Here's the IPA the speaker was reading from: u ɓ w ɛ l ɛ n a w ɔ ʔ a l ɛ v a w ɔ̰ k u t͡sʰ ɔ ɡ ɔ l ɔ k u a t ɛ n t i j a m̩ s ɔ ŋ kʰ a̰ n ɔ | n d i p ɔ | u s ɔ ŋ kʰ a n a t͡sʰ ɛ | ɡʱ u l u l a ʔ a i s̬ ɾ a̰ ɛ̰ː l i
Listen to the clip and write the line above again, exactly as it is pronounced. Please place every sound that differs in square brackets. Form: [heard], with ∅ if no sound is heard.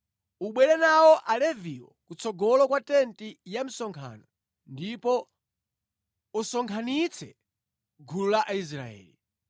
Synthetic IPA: u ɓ w ɛ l ɛ n a w ɔ ʔ a l ɛ v [i] w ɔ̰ k u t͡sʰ ɔ ɡ ɔ l ɔ k [w] a t ɛ n t i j a m̩ s ɔ ŋ kʰ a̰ n ɔ | n d i p ɔ | u s ɔ ŋ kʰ a n [i] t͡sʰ ɛ | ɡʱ u l u l a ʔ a i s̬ ɾ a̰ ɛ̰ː l i

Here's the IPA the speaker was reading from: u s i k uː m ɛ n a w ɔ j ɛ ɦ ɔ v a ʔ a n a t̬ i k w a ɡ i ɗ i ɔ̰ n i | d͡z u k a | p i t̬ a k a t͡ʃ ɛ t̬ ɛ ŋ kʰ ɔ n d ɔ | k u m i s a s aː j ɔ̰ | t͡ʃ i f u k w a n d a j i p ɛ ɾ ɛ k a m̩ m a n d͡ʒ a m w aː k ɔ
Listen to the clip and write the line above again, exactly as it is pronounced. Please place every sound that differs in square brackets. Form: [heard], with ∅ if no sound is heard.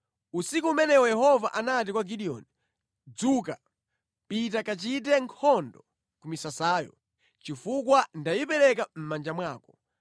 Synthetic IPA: u s i k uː m ɛ n [ɛ] w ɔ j ɛ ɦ ɔ v a ʔ a n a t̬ i k w a ɡ i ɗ i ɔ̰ n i | d͡z u k a | p i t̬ a k a t͡ʃ [i] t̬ ɛ ŋ kʰ ɔ n d ɔ | k u m i s a s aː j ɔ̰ | t͡ʃ i f u k w a n d a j i p ɛ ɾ ɛ k a m̩ m a n d͡ʒ a m w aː k ɔ

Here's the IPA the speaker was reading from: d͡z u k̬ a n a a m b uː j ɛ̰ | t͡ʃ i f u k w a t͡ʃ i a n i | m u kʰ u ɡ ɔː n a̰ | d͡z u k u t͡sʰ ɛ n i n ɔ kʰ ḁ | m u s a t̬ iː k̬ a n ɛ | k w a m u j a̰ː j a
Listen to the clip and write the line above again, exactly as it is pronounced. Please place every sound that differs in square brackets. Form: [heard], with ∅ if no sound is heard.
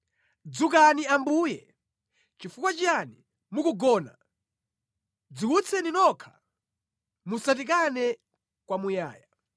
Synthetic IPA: d͡z u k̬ a n [i] a m b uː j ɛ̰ | t͡ʃ i f u k w a t͡ʃ i a n i | m u [k] u ɡ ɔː n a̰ | d͡z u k u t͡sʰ ɛ n i n ɔ kʰ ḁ | m u s a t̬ [i] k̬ a n ɛ | k w a m u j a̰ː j a

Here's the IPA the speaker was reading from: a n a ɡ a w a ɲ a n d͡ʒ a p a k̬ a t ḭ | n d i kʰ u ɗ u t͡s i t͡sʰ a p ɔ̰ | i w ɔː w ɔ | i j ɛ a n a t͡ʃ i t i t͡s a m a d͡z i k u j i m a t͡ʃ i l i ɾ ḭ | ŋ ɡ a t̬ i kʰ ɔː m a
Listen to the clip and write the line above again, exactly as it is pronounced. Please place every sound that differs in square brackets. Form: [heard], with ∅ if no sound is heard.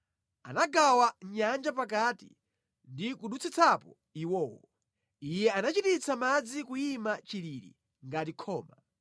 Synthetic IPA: a n a ɡ a w a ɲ a n d͡ʒ a p a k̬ a t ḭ | n d i [k] u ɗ u t͡s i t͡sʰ a p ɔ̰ | i w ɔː w ɔ | i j ɛ a n a t͡ʃ i t i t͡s a m a d͡z i k u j i m a t͡ʃ i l i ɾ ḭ | ŋ ɡ a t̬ i kʰ ɔː m a

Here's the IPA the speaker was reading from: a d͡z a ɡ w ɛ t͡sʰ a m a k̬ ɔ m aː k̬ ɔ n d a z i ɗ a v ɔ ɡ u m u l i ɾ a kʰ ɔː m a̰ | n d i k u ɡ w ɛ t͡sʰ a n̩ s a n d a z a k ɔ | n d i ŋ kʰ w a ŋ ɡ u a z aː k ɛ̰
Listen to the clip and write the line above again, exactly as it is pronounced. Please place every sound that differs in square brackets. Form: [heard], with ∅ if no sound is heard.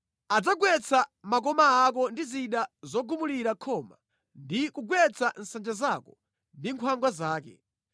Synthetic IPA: a d͡z a ɡ w ɛ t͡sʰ a m a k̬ ɔ m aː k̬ ɔ n d [i] z i ɗ a [z] ɔ ɡ u m u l i ɾ a kʰ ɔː m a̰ | n d i k u ɡ w ɛ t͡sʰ a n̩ s a n [d͡ʒ] a z a k ɔ | n d i ŋ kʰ w a ŋ ɡ [w] a z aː k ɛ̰

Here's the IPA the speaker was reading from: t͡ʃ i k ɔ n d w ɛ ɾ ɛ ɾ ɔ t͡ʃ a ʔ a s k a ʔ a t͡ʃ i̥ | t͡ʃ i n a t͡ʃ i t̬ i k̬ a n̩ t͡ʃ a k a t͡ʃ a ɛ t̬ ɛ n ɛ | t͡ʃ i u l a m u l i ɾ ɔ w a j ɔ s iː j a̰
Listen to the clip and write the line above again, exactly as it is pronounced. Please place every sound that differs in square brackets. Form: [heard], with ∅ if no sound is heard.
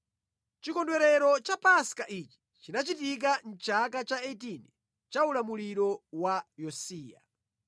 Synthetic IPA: t͡ʃ i k ɔ n d w ɛ ɾ ɛ ɾ ɔ t͡ʃ a [p] a s k a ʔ [i] t͡ʃ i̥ | t͡ʃ i n a t͡ʃ i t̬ i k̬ a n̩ t͡ʃ a k a t͡ʃ a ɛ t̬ [i] n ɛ | t͡ʃ [a] u l a m u l i ɾ ɔ w a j ɔ s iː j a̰

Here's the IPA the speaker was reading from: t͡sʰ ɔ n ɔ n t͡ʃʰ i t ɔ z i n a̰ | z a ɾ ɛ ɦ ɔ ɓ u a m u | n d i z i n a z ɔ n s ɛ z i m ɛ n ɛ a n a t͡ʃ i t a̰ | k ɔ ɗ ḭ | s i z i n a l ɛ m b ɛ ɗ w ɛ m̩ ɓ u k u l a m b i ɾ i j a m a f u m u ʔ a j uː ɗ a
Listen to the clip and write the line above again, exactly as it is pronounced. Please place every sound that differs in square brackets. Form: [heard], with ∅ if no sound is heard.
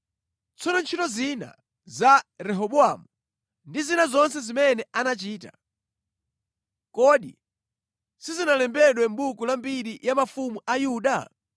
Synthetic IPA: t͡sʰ ɔ n ɔ n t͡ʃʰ i t ɔ z i n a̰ | z a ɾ ɛ ɦ ɔ ɓ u a m u | n d i z i n a z ɔ n s ɛ z i m ɛ n ɛ a n a t͡ʃ [iː] t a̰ | k ɔ ɗ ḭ | s i z i n a l ɛ m b ɛ ɗ w ɛ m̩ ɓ u k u l a m b i ɾ i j a m a f u m u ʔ a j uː ɗ a

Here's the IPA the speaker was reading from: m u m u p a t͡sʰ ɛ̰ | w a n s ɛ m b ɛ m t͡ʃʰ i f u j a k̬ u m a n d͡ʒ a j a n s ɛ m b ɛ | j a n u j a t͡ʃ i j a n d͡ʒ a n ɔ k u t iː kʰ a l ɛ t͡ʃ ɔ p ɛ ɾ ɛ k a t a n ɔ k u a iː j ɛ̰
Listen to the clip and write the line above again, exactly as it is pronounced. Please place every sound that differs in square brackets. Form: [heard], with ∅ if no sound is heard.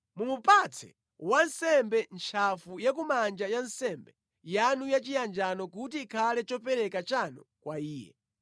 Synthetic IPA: m u m u p a t͡sʰ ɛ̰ | w a n s ɛ m b ɛ [n] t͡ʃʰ [a] f u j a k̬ u m a n d͡ʒ a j a n s ɛ m b ɛ | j a n u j a t͡ʃ i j a n d͡ʒ a n ɔ k u t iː kʰ a l ɛ t͡ʃ ɔ p ɛ ɾ ɛ k a [t͡ʃ] a n ɔ k [w] a iː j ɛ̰

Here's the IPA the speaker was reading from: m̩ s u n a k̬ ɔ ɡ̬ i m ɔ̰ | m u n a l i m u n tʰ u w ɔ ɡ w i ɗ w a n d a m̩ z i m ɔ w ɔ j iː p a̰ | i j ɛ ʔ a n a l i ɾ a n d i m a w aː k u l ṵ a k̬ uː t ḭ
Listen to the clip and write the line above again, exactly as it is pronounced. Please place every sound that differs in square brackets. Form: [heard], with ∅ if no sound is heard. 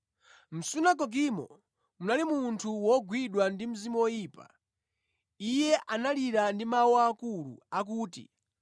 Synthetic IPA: m̩ s u n a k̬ ɔ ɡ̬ i m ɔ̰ | m u n a l i m u n tʰ u w ɔ ɡ w i ɗ w a n d [i] m̩ z i m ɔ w ɔ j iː p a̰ | i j ɛ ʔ a n a l i ɾ a n d i m a w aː k u l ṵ a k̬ uː t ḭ

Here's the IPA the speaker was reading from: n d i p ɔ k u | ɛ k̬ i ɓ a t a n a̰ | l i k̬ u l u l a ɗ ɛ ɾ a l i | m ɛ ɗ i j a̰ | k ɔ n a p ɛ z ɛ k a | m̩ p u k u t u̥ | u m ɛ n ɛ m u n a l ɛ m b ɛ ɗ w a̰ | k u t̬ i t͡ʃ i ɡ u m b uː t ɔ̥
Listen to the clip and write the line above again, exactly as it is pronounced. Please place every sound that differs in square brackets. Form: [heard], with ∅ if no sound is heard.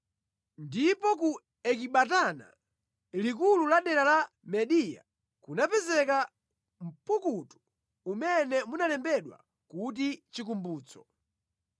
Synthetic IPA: n d i p ɔ k u | ɛ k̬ i ɓ a t a n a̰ | l i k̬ u l u l a ɗ ɛ ɾ a l [a] | m ɛ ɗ i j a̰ | k [u] n a p ɛ z ɛ k a | m̩ p u k u t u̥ | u m ɛ n ɛ m u n a l ɛ m b ɛ ɗ w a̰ | k u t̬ i t͡ʃ i [k] u m b uː [t͡s] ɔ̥

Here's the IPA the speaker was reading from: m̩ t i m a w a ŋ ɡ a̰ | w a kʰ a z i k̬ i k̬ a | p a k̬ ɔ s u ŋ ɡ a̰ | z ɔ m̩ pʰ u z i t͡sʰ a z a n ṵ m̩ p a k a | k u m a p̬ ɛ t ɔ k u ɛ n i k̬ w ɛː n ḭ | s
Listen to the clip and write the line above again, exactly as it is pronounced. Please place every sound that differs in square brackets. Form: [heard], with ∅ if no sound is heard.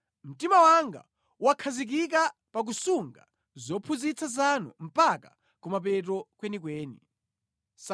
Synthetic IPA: m̩ t i m a w a ŋ ɡ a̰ | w a kʰ a z i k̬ i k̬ a | p a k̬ [u] s u ŋ ɡ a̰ | z ɔ [∅] pʰ u z i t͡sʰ a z a n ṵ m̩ p a k a | k u m a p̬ ɛ t ɔ k [w] ɛ n i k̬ w ɛː n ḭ | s

